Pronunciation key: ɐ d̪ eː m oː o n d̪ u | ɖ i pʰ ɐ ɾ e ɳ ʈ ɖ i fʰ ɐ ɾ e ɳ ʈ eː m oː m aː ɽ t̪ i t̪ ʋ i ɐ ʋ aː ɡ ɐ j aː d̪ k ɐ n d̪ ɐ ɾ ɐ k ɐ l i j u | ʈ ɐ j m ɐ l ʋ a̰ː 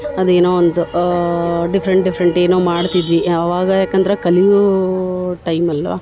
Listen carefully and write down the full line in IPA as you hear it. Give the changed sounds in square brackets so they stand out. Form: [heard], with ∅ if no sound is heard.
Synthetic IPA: ɐ d̪ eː [n] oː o n d̪ u | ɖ i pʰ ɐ ɾ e ɳ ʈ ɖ i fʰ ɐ ɾ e ɳ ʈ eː [n] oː m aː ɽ t̪ i [d̪] ʋ i ɐ ʋ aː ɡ ɐ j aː [∅] k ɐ n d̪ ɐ ɾ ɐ k ɐ l i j u | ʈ ɐ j m ɐ l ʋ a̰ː